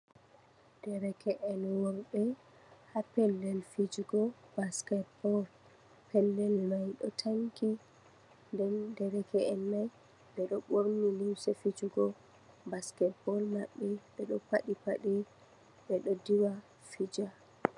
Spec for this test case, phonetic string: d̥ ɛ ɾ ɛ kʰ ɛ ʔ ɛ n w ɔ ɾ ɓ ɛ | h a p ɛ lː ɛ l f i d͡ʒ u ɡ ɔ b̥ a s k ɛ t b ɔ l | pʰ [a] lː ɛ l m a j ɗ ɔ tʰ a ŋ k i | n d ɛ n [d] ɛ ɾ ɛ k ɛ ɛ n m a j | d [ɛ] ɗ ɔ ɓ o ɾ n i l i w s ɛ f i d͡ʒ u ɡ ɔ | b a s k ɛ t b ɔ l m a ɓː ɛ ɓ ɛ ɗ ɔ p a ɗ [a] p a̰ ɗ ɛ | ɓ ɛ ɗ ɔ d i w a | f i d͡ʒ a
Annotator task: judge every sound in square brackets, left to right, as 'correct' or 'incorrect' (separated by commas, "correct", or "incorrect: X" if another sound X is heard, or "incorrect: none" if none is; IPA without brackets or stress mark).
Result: incorrect: ɛ, correct, correct, incorrect: i